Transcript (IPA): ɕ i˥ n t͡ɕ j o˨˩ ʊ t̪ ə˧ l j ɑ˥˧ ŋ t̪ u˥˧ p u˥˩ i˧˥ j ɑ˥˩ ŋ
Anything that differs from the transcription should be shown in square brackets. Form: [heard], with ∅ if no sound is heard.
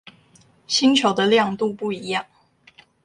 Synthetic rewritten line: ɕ i˥ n [t͡ɕʰ] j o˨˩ ʊ [d̪] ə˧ l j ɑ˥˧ ŋ t̪ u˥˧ p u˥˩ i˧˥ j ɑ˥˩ ŋ